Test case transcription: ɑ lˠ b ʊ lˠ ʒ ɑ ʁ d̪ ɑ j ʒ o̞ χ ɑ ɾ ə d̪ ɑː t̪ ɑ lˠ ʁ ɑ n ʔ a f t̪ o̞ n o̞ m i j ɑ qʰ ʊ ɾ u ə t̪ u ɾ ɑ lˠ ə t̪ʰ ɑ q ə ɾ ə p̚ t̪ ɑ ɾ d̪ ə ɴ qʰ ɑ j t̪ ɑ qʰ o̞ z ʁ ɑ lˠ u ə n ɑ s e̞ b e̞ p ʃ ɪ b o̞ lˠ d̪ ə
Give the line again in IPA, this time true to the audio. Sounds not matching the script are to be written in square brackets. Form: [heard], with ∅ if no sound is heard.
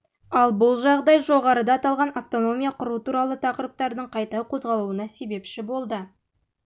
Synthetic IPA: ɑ lˠ b ʊ lˠ ʒ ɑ ʁ d̪ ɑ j ʒ o̞ [ʁ] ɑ ɾ ə d̪ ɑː t̪ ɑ lˠ ʁ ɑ n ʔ a f t̪ o̞ n o̞ m i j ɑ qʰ ʊ ɾ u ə t̪ u ɾ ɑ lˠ ə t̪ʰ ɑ q ə ɾ ə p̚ t̪ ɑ ɾ d̪ ə ɴ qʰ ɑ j t̪ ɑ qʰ o̞ z ʁ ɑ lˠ u ə n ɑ s e̞ b e̞ p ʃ ɪ b o̞ lˠ d̪ ə